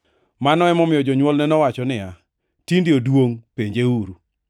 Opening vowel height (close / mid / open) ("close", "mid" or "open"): open